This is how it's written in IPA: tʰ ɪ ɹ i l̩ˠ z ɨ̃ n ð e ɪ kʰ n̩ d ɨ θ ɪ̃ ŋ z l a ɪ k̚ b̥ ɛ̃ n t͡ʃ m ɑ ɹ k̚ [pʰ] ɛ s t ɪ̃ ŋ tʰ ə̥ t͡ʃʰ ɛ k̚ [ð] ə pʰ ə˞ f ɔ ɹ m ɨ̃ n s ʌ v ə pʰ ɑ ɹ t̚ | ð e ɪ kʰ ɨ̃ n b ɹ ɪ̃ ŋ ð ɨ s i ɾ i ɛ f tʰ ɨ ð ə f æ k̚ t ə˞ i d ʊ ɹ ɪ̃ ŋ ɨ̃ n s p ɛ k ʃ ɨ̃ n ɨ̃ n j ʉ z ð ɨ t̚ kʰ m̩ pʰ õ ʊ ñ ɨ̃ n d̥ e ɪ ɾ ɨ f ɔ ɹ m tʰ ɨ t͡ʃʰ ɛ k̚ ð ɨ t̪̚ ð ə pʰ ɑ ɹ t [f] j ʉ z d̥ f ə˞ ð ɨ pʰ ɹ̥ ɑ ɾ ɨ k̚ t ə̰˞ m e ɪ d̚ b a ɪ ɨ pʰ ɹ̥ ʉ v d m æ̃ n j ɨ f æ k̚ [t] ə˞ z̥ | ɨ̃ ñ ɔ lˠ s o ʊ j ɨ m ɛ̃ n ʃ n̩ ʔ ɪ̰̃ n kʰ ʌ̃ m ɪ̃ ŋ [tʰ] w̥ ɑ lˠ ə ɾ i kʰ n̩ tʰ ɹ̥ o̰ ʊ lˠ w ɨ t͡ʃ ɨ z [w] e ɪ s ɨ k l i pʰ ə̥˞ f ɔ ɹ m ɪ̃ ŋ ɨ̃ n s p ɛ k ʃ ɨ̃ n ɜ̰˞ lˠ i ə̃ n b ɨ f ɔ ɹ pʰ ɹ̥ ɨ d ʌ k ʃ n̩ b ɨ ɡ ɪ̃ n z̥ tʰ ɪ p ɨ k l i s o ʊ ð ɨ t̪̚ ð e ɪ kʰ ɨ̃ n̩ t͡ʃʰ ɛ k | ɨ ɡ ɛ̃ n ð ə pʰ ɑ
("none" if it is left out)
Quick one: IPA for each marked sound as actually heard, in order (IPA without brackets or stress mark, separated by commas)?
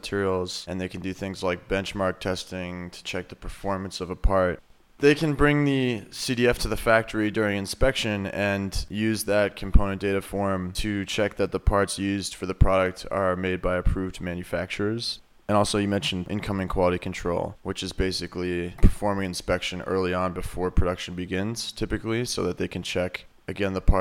tʰ, ð, s, t͡ʃ, kʰ, b